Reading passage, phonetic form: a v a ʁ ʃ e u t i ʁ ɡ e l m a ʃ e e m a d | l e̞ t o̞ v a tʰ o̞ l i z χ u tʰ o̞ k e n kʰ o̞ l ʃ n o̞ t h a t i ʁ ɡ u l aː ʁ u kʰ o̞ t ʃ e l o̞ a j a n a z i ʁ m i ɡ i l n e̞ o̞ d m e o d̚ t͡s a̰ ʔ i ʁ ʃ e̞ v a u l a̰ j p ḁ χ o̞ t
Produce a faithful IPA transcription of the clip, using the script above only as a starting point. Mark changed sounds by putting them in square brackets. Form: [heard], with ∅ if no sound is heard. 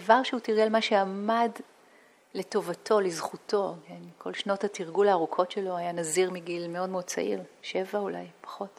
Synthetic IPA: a v a ʁ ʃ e u t i ʁ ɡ e l m a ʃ e [a] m a d | l e̞ t o̞ v a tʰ o̞ l i z χ u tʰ o̞ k e n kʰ o̞ l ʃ n o̞ t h a t i ʁ ɡ u l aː ʁ u kʰ o̞ t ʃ e l o̞ a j a n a z i ʁ m i ɡ i l [m] e̞ o̞ d m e o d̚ t͡s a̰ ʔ i ʁ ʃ e̞ v a u l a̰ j p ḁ χ o̞ t